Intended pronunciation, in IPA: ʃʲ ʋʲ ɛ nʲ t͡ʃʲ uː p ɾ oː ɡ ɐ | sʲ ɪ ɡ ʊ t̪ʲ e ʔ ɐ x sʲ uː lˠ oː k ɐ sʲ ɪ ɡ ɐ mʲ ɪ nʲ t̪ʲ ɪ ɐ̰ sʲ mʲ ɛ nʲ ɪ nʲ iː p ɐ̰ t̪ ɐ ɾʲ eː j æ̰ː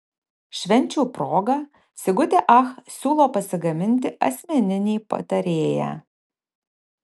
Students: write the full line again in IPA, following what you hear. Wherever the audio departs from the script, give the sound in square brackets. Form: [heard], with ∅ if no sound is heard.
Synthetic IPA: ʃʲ ʋʲ ɛ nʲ t͡ʃʲ uː p ɾ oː ɡ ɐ | sʲ ɪ ɡ ʊ t̪ʲ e ʔ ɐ x sʲ uː lˠ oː [p] ɐ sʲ ɪ ɡ ɐ mʲ ɪ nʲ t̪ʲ ɪ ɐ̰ sʲ mʲ ɛ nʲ ɪ nʲ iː p ɐ̰ t̪ ɐ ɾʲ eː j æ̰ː

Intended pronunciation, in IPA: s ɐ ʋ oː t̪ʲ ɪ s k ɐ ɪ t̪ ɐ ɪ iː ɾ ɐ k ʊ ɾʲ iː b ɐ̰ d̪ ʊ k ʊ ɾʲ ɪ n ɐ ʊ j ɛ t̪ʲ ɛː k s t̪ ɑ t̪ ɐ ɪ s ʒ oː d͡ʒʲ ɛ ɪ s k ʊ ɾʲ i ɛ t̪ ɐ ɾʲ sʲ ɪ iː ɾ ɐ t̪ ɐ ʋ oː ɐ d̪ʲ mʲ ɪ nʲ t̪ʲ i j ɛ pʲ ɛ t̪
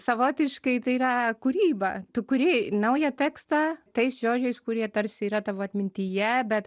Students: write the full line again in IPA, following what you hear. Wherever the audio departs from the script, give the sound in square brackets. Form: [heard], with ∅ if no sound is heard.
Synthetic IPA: s ɐ ʋ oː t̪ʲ ɪ [ʃ] k ɐ ɪ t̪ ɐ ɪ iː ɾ ɐ k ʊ ɾʲ iː b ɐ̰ [t̪] ʊ k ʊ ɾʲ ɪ n ɐ ʊ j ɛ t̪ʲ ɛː k s t̪ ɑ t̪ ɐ ɪ s ʒ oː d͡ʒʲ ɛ ɪ s k ʊ ɾʲ i ɛ t̪ ɐ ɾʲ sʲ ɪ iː ɾ ɐ t̪ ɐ ʋ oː ɐ [t̪ʲ] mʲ ɪ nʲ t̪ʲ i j ɛ [bʲ] ɛ t̪

